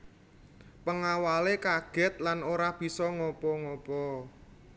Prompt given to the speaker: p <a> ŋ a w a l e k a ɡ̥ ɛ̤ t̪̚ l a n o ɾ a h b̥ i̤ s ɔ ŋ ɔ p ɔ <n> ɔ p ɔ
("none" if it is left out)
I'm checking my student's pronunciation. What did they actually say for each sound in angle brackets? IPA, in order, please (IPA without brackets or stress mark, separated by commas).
ə, ŋ